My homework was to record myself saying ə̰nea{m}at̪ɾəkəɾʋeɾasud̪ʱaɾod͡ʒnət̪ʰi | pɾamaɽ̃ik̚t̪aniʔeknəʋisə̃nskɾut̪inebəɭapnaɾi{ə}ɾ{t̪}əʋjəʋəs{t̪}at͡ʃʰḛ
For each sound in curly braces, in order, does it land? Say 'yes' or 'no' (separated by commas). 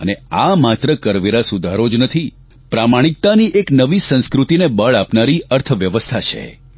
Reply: yes, yes, no, no